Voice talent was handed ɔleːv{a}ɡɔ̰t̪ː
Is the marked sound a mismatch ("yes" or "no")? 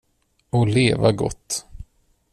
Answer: no